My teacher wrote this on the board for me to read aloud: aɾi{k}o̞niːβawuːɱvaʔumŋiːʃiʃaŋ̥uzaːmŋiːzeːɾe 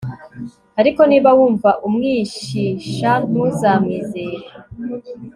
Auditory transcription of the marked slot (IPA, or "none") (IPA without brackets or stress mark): k